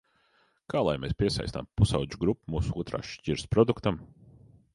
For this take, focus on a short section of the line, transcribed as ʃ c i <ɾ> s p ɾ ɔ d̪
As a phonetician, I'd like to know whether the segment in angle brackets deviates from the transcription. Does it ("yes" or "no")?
no